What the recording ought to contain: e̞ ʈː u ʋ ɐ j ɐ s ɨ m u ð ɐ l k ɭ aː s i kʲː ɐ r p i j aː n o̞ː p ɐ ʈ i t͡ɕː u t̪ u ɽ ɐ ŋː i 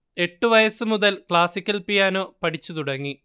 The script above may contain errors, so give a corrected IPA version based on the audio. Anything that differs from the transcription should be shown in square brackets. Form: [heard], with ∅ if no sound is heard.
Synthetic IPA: e̞ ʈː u ʋ ɐ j ɐ s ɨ m u ð ɐ l k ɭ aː s i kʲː ɐ [l] p i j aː n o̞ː p ɐ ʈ i t͡ɕː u t̪ u ɽ ɐ ŋː i